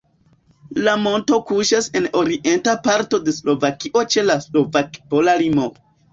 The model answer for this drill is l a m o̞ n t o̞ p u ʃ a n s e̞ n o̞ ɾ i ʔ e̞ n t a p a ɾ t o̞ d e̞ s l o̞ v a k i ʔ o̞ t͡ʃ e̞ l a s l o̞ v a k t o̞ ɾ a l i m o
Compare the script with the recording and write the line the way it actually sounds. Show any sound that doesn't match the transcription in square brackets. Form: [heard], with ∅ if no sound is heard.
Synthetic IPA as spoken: l a m o̞ n t o̞ [k] u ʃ a [∅] s e̞ n o̞ ɾ i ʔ e̞ n t a p a ɾ t o̞ d e̞ s l o̞ v a k i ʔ o̞ t͡ʃ e̞ l a s l o̞ v a k [p] o̞ [l] a l i m o